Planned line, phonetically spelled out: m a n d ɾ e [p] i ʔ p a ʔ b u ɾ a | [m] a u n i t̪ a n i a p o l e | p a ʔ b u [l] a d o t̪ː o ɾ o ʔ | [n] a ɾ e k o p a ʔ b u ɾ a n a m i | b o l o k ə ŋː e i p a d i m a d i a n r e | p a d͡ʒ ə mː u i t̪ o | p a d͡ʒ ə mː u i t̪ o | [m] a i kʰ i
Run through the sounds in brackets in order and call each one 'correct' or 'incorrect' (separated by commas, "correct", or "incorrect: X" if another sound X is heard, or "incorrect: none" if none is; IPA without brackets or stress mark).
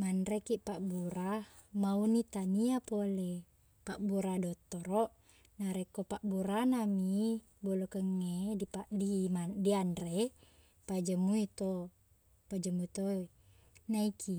incorrect: k, correct, incorrect: ɾ, correct, incorrect: n